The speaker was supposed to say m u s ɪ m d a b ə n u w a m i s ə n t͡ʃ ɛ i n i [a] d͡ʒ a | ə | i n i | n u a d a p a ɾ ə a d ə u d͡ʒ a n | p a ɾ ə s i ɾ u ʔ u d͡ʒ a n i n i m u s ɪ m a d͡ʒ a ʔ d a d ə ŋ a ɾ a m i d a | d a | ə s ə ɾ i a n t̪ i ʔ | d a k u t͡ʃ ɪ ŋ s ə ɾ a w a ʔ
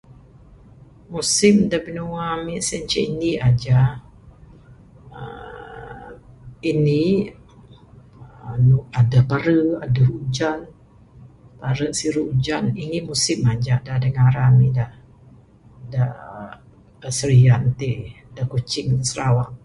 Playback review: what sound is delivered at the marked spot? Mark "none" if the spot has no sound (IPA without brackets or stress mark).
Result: a